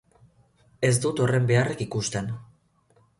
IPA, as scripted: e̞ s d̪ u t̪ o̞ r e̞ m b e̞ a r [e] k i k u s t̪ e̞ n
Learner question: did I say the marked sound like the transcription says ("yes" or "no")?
yes